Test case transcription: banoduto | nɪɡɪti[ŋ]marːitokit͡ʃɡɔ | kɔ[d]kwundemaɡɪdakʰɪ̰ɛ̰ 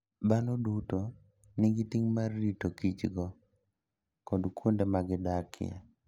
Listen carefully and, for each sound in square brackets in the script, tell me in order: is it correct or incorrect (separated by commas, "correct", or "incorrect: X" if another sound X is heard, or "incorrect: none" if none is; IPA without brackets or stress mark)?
correct, correct